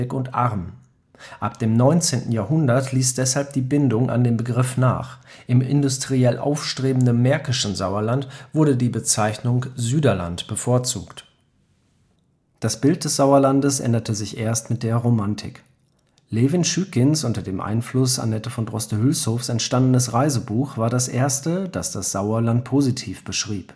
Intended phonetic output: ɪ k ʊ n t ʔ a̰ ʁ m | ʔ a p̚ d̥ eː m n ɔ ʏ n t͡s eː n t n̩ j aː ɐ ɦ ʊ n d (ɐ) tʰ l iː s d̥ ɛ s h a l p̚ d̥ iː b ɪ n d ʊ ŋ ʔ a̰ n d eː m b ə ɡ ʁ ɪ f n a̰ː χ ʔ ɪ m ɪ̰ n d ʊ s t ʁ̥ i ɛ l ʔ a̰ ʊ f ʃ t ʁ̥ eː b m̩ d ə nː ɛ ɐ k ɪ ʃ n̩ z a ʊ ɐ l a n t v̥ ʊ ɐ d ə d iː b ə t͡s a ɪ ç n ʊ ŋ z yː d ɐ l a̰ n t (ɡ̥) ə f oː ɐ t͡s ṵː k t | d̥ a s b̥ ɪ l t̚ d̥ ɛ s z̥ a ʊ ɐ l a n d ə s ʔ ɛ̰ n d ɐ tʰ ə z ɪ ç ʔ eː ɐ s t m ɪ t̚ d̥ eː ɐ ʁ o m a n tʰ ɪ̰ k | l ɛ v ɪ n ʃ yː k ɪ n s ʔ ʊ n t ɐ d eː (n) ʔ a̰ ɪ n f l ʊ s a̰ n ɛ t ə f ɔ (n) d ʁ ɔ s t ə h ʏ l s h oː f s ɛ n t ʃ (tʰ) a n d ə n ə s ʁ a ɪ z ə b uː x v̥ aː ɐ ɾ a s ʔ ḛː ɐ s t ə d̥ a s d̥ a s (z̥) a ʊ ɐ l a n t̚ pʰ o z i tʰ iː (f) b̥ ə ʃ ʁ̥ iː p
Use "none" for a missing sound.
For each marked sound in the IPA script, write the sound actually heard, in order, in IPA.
ɐ, b̥, m, n, t, z̥, f

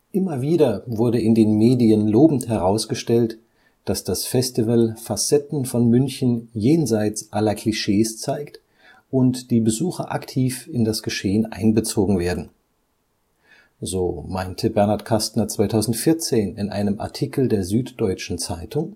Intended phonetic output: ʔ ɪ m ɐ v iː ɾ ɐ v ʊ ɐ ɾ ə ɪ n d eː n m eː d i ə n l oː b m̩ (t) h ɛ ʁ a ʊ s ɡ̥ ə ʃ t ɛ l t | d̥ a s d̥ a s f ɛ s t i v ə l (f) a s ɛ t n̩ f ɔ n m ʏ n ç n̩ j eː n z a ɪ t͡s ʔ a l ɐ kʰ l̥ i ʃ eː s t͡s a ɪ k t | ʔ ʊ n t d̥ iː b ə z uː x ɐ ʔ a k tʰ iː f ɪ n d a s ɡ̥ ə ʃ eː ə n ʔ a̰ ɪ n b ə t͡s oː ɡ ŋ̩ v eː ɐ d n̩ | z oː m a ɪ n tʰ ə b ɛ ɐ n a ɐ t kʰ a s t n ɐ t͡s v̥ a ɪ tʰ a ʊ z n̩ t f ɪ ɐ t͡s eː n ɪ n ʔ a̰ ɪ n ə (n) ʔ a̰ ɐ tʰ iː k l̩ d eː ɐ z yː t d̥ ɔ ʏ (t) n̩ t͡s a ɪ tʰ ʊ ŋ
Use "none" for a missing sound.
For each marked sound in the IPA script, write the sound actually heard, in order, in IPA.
t, f, m, t͡ʃ

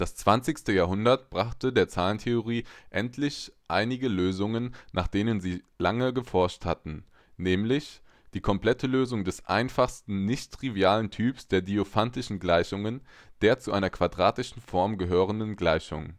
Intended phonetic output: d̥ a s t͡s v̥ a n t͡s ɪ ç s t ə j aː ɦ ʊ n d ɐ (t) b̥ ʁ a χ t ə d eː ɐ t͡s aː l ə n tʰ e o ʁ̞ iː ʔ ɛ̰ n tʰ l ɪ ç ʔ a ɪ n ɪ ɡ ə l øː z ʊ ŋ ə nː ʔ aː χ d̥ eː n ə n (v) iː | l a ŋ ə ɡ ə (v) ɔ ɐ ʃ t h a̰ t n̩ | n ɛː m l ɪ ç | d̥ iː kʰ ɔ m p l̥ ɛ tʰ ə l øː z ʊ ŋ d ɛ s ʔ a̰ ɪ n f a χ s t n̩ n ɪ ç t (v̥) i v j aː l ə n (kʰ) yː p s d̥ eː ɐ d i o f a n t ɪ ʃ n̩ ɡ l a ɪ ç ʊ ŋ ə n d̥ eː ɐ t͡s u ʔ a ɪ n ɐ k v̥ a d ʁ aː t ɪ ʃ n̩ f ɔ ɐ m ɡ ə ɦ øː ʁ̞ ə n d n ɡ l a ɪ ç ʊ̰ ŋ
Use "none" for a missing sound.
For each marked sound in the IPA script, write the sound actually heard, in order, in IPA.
t, z, f, ʁ̥, tʰ

